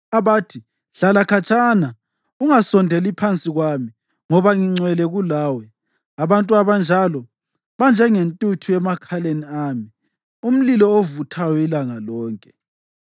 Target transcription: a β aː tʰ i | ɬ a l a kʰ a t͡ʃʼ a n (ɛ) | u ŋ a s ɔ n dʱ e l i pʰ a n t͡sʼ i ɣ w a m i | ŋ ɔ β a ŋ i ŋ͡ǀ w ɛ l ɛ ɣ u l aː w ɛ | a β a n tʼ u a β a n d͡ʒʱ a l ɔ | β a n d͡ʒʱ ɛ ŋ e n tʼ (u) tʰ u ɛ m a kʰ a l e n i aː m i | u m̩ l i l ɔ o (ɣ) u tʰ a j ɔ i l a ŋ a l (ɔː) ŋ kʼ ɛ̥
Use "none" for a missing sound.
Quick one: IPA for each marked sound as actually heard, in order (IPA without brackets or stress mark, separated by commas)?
a, u, v, ɔː